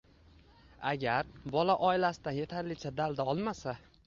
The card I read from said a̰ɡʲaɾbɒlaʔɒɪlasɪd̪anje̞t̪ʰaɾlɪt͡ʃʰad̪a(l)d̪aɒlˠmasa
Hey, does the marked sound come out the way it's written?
yes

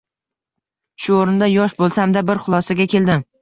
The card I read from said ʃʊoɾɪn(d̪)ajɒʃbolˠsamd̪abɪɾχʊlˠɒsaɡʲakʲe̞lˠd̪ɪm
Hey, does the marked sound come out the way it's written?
yes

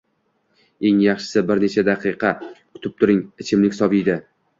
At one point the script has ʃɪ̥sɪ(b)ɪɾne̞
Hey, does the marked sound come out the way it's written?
yes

